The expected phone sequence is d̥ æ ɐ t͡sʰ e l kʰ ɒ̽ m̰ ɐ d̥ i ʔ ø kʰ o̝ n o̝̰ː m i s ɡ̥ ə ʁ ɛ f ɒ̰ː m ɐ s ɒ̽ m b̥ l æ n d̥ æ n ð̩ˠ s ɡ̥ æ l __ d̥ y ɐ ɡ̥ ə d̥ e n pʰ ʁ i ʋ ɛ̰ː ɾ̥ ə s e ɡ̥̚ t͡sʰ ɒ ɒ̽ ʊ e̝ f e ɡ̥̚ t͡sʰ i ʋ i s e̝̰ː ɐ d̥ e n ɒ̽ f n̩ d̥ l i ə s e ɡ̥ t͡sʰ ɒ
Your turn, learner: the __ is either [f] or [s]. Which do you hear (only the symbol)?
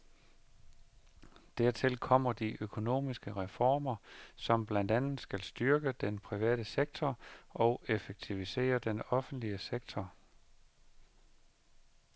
s